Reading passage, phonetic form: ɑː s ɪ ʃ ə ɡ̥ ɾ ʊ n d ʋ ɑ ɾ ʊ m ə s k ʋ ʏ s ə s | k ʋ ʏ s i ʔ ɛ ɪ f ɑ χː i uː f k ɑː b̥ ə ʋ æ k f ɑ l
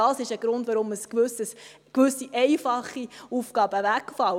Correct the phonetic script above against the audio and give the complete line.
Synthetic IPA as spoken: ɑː s ɪ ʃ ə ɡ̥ ɾ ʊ n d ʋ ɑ ɾ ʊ m ə s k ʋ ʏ s ə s | k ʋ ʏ s i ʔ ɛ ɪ f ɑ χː i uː f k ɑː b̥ ə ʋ æ k f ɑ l